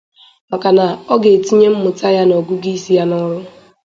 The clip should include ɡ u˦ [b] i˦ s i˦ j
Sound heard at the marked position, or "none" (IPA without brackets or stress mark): ɡ